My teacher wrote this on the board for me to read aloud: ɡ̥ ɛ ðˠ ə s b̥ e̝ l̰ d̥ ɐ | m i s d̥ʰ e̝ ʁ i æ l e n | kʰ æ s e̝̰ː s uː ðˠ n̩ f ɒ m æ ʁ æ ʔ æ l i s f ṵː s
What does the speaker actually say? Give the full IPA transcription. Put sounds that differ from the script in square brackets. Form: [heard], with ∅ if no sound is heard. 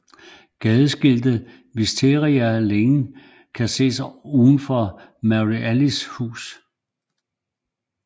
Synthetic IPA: ɡ̥ ɛ ðˠ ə s [ɡ̥] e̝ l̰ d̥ [ə] | m i s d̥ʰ e̝ ʁ i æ l e [ŋ] | kʰ æ s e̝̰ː s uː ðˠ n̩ f ɒ m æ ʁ [i] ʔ æ l i s [h] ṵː s